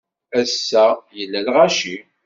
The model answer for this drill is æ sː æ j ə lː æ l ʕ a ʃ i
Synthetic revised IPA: æ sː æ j ə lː æ l ʁ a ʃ i